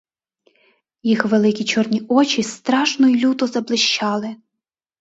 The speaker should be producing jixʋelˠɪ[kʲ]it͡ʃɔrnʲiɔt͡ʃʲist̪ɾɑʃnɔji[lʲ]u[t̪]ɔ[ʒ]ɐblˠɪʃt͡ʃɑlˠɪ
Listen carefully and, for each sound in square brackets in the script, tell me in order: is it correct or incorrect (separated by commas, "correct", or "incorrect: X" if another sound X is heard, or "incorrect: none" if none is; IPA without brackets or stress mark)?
correct, correct, correct, incorrect: z